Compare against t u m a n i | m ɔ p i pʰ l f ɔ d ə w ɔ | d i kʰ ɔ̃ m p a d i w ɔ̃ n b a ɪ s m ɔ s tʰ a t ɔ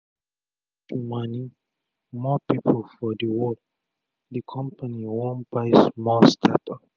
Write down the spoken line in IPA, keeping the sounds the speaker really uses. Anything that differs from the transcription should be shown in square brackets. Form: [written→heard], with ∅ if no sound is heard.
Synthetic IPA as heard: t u m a n i | m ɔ p i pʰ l f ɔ d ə w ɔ | d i kʰ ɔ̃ m p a [d→n] i w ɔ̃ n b a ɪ s m ɔ s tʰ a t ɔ

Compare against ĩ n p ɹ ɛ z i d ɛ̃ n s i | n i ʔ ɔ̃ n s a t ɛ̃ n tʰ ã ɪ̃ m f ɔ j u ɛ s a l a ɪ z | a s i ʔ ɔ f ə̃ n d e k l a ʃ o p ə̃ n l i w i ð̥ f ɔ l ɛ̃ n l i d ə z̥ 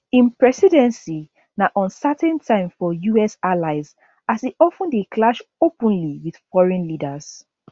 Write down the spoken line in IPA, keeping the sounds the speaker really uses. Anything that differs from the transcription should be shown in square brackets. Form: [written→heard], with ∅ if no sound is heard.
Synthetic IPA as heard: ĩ n p ɹ ɛ [z→s] i d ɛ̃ n s i | n [i→a] ʔ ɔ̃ n s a t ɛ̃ n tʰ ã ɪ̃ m f ɔ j u ɛ s a l a ɪ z | a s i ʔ ɔ f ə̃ n d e k l a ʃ o p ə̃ n l i w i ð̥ f ɔ [l→ɹ] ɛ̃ n l i d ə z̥

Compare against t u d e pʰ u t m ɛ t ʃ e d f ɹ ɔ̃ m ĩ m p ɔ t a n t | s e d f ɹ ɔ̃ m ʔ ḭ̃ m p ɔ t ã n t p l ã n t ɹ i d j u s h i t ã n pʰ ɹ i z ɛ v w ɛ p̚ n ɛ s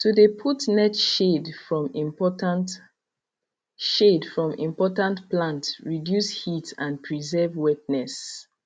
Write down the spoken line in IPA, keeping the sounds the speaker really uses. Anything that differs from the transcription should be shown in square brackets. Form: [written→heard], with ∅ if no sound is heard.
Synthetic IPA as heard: t u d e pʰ u t [m→n] ɛ t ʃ e d f ɹ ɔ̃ m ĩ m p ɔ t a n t | [s→ʃ] e d f ɹ ɔ̃ m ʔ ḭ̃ m p ɔ t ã n t p l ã n t ɹ i d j u s h i t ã n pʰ ɹ i z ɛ v w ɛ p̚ n ɛ s

